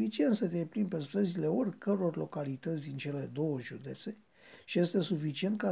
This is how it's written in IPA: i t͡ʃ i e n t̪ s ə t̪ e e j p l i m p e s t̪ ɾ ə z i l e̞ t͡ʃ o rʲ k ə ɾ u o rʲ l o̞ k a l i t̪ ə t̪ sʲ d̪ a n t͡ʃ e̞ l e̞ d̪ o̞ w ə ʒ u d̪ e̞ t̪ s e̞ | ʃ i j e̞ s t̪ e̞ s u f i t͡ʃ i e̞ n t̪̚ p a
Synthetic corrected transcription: i t͡ʃ i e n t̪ s ə t̪ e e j p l i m p e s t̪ ɾ ə z i l e̞ o rʲ k ə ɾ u o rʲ l o̞ k a l i t̪ ə t̪ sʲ d̪ i n t͡ʃ e̞ l e̞ d̪ o̞ w ə ʒ u d̪ e̞ t̪ s e̞ | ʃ i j e̞ s t̪ e̞ s u f i t͡ʃ i e̞ n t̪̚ k a